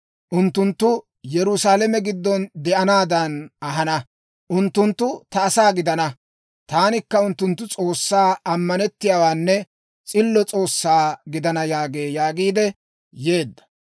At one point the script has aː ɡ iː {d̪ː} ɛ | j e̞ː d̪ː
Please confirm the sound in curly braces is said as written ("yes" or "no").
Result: no